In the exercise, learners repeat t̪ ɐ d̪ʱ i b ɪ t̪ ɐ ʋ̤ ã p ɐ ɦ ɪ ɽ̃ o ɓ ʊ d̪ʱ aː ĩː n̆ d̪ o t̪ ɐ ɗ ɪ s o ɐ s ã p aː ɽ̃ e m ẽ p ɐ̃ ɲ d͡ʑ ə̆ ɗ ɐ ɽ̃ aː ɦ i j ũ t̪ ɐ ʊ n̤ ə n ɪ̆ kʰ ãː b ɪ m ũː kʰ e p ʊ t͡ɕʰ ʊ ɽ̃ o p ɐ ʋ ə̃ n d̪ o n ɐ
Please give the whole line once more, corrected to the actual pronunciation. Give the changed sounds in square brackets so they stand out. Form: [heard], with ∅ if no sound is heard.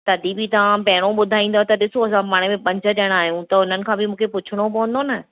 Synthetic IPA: t̪ ɐ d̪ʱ i b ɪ t̪ ɐ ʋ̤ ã p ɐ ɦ ɪ ɽ̃ o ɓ ʊ d̪ʱ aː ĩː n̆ d̪ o t̪ ɐ ɗ ɪ s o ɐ s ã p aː ɽ̃ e m ẽ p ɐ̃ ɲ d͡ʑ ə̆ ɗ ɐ ɽ̃ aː ɦ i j ũ t̪ ɐ ʊ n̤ ə n ɪ̆ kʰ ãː b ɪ m ũː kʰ e p ʊ t͡ɕʰ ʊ ɽ̃ o p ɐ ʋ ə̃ n d̪ o n ɐ